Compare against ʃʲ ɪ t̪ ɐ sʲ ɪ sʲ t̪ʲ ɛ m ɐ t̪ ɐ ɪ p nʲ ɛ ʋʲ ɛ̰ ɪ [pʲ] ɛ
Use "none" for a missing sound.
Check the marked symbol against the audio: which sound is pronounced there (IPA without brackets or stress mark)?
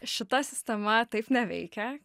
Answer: kʲ